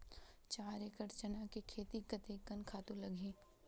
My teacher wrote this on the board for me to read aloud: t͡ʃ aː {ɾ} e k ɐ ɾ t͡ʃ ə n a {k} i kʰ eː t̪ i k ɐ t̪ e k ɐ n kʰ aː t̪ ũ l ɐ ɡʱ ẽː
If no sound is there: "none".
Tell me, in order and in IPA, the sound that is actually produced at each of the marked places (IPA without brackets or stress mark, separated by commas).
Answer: ɾ, k